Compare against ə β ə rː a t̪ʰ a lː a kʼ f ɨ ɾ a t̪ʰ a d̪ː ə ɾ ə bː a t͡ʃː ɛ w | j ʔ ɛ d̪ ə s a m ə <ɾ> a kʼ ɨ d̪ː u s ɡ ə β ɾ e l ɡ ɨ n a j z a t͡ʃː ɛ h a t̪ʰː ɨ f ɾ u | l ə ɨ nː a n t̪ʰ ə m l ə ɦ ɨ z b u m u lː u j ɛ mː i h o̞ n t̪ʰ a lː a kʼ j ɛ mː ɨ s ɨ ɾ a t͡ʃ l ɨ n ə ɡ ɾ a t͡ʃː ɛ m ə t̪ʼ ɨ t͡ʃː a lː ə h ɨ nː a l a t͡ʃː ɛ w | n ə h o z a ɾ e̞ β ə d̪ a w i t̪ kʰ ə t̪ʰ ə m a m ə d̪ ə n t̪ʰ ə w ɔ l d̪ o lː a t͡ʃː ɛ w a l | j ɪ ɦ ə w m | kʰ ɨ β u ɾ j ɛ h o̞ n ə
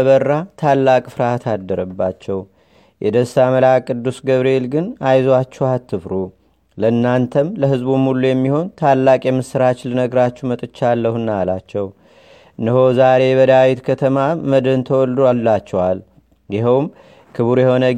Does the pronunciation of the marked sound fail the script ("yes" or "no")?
yes